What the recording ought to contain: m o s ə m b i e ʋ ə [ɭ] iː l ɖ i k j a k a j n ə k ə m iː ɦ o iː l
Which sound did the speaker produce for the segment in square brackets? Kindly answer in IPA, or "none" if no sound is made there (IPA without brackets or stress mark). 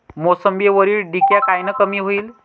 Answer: ɾ